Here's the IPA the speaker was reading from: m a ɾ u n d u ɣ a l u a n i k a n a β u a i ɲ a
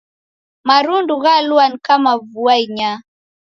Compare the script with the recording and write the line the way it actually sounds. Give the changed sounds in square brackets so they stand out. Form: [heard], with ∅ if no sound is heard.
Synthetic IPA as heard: m a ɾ u n d u ɣ a l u a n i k a [m] a [v] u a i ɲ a